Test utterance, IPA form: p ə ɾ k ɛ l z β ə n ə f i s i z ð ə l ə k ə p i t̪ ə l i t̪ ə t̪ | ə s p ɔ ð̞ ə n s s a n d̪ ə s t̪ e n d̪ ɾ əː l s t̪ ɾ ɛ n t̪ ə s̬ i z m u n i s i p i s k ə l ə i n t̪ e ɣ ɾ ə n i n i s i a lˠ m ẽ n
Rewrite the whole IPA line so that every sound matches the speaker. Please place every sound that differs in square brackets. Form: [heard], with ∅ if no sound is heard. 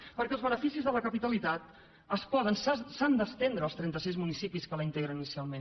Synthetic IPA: p ə ɾ k ɛ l z β ə n ə f i s i z ð ə l ə k ə p i t̪ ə l i t̪ [a] t̪ | ə s p ɔ ð̞ ə n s s a n d̪ ə s t̪ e n d̪ ɾ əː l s t̪ ɾ ɛ n t̪ ə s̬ i z m u n i s i p i s k ə l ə i n t̪ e ɣ ɾ ə n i n i s i a lˠ m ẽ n